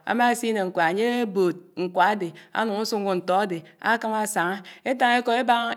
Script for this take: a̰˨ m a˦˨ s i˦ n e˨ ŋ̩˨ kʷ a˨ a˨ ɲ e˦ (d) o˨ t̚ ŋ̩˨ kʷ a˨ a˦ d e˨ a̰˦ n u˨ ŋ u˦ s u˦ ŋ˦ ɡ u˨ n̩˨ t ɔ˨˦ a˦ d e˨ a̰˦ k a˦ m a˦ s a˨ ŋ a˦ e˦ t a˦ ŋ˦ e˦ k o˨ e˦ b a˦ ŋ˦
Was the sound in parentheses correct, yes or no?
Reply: no